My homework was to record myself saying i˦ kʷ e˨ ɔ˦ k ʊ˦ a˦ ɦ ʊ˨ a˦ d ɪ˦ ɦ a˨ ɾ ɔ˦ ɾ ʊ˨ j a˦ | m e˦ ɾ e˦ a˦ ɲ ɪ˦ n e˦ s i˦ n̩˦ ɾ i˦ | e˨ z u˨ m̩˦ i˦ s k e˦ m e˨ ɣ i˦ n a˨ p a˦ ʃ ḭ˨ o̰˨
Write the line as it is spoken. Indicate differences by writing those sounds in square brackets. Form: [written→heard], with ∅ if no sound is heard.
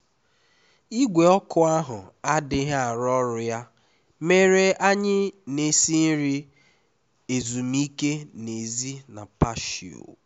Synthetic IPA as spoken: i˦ [kʷ→ɡʷ] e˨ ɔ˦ k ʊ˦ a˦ ɦ ʊ˨ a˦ d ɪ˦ ɦ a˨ ɾ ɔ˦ ɾ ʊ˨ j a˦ | m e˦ ɾ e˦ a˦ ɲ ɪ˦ n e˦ s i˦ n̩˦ ɾ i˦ | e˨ z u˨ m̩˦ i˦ [s→∅] k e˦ [m→n] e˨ [ɣ→z] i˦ n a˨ p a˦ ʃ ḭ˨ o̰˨